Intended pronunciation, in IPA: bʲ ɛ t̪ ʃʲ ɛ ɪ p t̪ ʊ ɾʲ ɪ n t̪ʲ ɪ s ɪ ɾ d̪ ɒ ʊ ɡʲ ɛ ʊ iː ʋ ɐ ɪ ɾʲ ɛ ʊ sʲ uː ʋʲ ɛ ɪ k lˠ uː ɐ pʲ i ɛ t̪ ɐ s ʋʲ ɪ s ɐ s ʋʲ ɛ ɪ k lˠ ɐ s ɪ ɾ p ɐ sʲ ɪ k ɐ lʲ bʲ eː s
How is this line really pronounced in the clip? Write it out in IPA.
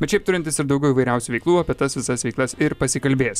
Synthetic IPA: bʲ ɛ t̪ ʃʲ ɛ ɪ p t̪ ʊ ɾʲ ɪ n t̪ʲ ɪ s ɪ ɾ d̪ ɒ ʊ ɡʲ ɛ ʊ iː ʋ ɐ ɪ ɾʲ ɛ ʊ sʲ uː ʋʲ ɛ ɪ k lˠ uː ɐ pʲ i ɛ t̪ ɐ s ʋʲ ɪ s ɐ s ʋʲ ɛ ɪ k lˠ ɐ s ɪ ɾ p ɐ sʲ ɪ k ɐ lʲ bʲ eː s